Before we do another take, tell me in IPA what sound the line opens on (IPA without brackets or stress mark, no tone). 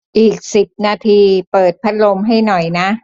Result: ʔ